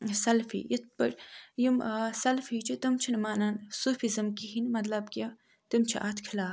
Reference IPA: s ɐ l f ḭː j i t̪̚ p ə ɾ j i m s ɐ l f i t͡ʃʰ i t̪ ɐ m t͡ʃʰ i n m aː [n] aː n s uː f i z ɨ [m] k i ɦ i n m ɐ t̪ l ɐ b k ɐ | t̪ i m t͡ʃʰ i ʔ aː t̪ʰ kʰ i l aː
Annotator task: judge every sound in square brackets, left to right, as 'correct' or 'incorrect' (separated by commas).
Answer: correct, correct